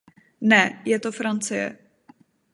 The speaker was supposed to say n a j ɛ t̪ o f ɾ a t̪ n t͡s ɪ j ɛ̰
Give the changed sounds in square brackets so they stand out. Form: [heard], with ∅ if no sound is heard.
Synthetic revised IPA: n [ɛ] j ɛ t̪ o f ɾ a [∅] n t͡s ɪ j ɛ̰